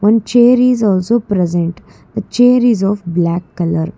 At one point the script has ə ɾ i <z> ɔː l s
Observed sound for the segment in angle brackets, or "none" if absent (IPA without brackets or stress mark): z